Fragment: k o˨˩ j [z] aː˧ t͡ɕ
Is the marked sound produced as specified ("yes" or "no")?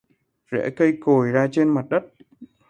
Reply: yes